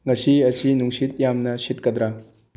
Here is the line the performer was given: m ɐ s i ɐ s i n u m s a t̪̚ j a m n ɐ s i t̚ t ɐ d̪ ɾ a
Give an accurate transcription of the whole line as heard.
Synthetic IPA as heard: ŋ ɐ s i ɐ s i n u ŋ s i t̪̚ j a m n ɐ s i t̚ k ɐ d̪ ɾ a